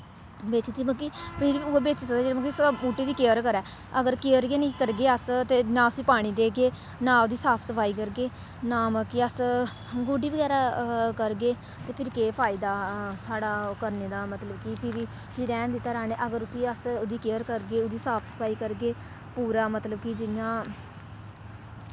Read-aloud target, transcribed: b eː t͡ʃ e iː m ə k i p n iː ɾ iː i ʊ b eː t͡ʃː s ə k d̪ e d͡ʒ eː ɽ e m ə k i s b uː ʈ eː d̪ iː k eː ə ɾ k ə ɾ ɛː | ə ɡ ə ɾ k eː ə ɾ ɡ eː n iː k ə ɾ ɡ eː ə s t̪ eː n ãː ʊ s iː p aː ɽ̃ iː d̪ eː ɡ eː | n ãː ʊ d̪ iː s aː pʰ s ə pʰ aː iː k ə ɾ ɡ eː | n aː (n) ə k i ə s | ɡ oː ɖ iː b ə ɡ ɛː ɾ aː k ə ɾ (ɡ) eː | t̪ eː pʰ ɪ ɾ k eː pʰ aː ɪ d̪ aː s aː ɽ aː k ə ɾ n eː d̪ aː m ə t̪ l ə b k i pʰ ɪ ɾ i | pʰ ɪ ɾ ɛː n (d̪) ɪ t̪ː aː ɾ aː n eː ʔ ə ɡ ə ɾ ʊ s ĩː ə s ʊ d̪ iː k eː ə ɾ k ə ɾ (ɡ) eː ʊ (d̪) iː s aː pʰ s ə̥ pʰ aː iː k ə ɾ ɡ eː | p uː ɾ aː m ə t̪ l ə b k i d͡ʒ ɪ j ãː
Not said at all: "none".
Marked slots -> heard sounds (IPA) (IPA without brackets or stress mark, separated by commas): m, ɡ, d̪, ɡ, d̪